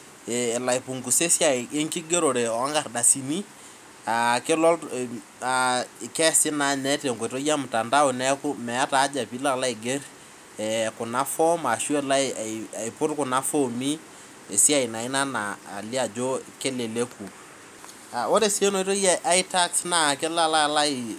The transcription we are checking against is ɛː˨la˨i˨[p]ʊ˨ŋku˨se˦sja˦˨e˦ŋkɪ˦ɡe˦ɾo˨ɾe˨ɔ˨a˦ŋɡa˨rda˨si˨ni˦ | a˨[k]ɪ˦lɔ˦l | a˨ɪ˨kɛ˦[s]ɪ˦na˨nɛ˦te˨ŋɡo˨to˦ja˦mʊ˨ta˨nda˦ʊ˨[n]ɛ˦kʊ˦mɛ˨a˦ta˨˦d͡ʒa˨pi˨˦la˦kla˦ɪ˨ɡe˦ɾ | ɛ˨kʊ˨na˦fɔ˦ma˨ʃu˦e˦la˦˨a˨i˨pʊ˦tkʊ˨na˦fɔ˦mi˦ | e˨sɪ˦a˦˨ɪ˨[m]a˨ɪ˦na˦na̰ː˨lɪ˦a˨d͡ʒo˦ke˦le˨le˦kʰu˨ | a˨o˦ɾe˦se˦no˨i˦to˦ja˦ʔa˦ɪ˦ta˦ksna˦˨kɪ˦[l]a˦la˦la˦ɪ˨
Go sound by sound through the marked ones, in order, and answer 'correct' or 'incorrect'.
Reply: correct, correct, correct, correct, incorrect: n, correct

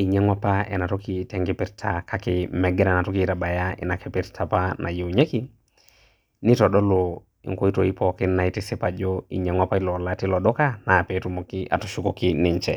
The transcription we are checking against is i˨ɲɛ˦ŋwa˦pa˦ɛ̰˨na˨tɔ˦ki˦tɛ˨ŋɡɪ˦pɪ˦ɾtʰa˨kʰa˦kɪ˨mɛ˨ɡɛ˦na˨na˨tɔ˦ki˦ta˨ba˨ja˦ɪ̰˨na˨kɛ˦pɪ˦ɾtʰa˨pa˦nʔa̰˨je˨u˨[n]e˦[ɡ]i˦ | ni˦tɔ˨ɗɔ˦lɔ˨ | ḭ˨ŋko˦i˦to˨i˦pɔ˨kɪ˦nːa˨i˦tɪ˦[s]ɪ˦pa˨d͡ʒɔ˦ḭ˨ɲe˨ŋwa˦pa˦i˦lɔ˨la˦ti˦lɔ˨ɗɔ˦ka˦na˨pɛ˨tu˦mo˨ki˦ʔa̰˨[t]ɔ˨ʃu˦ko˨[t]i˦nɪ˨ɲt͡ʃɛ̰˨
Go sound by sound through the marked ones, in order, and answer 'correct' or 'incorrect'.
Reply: incorrect: ɲ, incorrect: k, correct, correct, incorrect: k

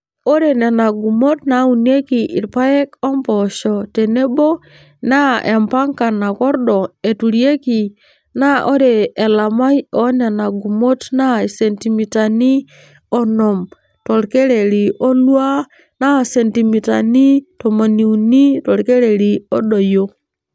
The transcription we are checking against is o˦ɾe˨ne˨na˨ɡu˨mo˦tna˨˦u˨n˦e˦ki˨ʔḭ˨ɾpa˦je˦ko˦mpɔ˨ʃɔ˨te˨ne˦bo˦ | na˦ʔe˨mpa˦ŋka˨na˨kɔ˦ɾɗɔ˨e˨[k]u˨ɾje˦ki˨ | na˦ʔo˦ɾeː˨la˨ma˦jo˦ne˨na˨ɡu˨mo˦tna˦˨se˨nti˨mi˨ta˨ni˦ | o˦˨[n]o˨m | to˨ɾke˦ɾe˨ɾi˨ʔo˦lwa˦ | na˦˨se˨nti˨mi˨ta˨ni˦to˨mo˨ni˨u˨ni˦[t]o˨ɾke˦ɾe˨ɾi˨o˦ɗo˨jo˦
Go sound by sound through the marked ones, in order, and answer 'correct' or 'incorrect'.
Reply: incorrect: t, correct, correct

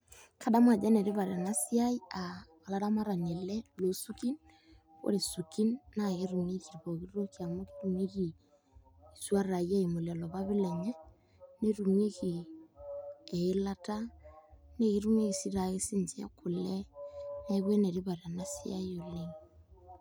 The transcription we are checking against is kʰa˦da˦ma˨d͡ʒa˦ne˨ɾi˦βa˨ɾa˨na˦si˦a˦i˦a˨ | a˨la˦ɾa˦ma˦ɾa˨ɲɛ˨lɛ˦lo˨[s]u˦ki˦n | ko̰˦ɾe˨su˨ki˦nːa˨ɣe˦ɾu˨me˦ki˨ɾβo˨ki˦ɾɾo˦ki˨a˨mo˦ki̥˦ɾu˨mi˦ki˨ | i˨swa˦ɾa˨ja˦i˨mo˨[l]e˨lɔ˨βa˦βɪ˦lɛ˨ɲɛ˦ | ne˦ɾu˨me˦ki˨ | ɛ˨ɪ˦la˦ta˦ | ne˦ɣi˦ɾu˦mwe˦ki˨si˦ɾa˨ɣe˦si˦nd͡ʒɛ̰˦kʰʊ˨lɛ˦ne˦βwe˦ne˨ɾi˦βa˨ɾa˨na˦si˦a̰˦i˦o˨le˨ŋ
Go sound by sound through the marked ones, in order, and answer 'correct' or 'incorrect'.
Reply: correct, correct

